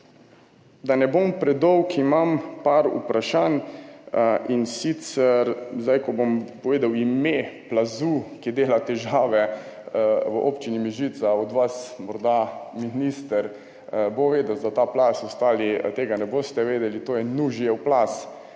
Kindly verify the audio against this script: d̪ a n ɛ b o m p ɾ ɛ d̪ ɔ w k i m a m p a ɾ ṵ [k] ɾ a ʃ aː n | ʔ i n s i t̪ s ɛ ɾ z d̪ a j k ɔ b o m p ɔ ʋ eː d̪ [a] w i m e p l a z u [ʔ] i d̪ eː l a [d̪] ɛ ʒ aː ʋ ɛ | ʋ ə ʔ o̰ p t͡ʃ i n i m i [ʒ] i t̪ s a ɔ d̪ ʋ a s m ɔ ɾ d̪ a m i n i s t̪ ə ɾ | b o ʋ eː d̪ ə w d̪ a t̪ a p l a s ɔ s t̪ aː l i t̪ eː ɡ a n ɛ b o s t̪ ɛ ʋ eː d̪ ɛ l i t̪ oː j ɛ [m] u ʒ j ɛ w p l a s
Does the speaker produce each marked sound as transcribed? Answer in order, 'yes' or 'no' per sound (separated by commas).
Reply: no, yes, no, no, yes, no